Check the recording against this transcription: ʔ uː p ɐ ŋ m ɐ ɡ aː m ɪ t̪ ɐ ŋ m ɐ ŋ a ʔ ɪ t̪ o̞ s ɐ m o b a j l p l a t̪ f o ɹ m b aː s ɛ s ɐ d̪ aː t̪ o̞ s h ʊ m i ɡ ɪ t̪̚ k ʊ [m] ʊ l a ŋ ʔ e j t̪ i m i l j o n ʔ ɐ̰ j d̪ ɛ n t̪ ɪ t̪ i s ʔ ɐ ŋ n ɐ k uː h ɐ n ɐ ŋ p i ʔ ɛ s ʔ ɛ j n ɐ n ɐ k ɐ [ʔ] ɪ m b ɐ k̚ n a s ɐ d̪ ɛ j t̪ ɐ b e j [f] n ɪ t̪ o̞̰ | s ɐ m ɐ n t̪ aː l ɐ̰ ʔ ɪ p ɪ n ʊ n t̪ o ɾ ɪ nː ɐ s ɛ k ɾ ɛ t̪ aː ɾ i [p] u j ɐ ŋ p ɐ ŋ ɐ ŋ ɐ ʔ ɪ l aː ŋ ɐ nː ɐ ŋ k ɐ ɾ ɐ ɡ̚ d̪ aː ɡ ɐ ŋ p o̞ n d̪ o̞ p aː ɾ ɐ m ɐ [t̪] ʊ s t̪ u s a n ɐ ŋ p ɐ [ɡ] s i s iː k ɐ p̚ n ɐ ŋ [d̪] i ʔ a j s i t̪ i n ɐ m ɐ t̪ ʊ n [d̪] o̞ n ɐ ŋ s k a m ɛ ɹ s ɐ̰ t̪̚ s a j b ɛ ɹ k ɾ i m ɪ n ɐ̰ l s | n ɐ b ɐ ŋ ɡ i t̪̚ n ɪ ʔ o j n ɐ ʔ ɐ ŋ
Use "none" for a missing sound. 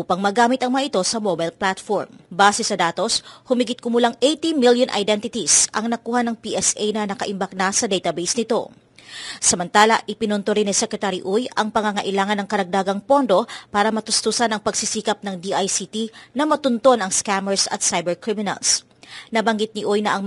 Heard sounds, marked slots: m, ʔ, s, ʔ, t̪, ɡ, d̪, t̪

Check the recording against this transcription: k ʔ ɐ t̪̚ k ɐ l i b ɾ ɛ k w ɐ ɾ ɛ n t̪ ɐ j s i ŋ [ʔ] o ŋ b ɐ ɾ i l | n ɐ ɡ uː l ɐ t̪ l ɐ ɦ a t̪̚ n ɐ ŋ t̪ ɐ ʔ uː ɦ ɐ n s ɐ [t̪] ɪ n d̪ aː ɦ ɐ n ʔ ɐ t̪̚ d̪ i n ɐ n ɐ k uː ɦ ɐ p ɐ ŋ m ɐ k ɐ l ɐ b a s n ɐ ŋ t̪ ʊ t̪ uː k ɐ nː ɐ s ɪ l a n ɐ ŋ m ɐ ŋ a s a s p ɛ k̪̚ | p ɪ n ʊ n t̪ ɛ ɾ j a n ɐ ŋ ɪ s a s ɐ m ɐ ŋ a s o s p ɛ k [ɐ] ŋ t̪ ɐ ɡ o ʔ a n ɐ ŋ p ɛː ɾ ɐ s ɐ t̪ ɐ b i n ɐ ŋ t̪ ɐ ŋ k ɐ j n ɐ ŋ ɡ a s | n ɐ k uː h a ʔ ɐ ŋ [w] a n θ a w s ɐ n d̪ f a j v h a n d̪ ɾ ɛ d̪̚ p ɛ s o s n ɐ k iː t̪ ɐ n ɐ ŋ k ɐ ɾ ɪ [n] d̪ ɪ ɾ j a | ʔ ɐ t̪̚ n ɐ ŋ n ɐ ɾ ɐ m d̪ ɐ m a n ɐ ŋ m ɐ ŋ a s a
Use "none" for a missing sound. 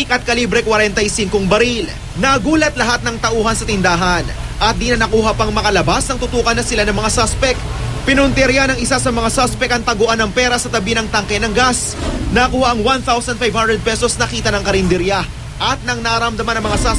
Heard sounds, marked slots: k, t̪, ɐ, w, n

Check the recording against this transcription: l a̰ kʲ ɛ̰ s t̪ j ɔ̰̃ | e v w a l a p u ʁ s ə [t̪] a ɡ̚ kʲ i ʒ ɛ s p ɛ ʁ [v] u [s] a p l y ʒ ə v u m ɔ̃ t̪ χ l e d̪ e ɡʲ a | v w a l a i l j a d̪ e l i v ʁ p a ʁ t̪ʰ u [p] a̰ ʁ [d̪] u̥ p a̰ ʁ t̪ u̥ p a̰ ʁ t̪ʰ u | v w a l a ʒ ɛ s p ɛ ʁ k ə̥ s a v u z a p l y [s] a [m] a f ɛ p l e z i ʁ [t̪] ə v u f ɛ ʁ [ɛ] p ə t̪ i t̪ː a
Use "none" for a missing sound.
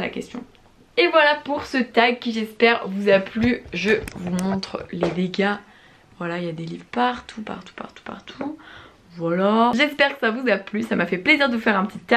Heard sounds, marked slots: t̪, v, z, p, t̪, s, m, d̪, ɛ̃

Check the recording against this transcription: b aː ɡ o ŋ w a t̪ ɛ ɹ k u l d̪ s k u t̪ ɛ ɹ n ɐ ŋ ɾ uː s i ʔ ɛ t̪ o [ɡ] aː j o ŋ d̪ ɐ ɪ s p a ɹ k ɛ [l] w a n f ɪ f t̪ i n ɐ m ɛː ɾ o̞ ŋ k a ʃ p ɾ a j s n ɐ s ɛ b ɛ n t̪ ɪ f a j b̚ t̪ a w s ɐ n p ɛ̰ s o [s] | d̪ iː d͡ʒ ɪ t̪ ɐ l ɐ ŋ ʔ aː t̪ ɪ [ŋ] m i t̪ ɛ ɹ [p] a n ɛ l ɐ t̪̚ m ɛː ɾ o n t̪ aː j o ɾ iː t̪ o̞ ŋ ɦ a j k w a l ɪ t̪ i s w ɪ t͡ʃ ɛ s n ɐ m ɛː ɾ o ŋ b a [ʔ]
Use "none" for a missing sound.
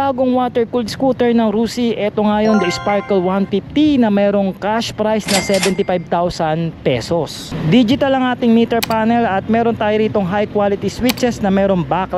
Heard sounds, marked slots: ŋ, l, s, ŋ, p, k

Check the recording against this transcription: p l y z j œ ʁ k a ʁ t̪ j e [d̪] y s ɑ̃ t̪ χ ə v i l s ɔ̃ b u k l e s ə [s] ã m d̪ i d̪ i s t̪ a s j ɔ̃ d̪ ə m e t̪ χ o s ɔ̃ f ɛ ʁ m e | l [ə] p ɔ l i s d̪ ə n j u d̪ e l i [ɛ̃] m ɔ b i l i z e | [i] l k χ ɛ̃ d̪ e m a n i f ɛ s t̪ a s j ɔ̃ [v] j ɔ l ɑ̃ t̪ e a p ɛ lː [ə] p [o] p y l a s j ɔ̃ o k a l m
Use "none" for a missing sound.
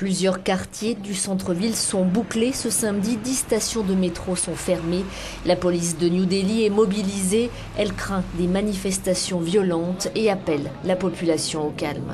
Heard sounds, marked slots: d̪, s, a, ɛ, ɛ, v, a, ɔ

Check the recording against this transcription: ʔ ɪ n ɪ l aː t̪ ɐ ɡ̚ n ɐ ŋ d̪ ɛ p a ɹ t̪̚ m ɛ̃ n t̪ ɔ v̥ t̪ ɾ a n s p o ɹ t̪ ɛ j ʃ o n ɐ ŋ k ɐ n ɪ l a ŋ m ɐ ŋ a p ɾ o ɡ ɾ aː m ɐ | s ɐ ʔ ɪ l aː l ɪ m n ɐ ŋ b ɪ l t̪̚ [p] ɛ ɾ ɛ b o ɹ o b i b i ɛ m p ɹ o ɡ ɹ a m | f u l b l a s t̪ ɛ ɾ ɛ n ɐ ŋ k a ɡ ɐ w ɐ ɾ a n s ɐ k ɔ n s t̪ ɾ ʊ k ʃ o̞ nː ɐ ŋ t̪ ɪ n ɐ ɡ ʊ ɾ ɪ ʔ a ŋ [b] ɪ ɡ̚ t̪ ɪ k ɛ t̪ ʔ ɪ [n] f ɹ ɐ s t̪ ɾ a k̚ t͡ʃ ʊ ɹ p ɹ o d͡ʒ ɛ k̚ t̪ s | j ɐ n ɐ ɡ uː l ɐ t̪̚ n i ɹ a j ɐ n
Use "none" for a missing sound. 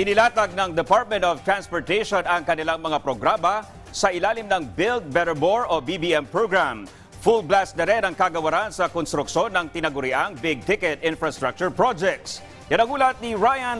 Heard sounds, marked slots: b, b, n

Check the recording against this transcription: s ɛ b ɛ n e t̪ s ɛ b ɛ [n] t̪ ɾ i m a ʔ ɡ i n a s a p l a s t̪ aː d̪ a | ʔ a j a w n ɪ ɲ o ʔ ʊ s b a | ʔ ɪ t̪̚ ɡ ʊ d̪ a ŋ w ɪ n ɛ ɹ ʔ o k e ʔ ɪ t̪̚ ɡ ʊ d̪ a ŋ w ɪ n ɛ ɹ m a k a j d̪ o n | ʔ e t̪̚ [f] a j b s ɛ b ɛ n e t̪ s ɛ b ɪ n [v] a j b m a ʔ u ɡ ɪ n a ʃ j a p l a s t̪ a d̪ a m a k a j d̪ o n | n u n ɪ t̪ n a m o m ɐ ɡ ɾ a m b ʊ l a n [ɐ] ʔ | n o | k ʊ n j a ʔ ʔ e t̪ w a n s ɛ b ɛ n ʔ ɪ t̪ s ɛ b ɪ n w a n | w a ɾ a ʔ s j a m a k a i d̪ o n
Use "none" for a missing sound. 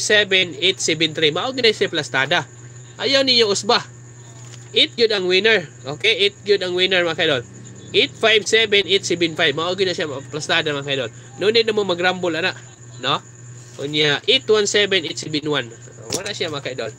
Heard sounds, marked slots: n, f, f, a

